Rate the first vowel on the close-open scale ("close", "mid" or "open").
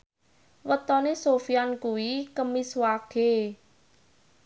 mid